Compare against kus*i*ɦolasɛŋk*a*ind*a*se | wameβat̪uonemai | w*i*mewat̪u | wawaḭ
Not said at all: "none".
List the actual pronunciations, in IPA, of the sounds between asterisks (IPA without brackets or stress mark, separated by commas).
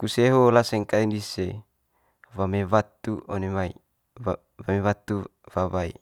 e, a, i, a